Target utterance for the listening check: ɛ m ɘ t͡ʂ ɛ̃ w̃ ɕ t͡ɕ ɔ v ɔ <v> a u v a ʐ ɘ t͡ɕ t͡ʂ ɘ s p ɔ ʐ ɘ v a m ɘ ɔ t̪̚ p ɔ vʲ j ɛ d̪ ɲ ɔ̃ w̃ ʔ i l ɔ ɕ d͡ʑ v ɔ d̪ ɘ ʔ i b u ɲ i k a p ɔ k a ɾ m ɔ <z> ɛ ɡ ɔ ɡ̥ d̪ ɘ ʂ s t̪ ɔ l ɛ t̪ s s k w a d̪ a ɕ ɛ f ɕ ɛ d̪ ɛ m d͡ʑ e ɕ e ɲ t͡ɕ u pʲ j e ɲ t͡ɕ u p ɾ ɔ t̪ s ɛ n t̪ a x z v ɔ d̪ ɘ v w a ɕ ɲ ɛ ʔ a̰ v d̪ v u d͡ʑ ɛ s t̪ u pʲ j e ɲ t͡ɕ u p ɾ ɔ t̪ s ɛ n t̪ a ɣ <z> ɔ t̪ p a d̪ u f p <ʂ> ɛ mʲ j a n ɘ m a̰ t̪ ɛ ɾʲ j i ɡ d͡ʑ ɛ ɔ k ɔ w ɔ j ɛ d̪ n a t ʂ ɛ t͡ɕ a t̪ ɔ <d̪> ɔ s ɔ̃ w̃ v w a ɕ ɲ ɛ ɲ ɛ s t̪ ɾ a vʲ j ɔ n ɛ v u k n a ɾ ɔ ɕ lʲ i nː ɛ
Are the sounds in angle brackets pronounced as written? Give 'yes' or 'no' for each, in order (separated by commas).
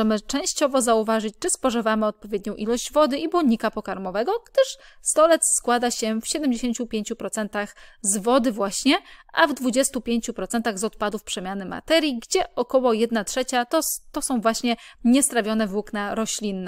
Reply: no, no, yes, yes, no